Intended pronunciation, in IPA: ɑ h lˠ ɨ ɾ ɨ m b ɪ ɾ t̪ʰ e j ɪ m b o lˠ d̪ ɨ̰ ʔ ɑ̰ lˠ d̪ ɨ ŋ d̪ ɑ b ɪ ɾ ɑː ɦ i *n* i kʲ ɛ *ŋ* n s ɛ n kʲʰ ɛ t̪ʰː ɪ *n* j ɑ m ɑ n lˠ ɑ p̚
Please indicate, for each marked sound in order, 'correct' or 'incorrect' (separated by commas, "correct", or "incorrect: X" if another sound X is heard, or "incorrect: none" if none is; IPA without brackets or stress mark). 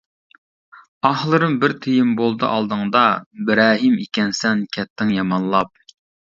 incorrect: m, incorrect: none, incorrect: ŋ